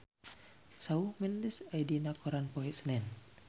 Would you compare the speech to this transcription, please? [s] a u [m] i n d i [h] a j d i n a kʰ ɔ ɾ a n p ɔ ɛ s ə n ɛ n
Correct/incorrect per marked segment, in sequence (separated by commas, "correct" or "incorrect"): correct, correct, incorrect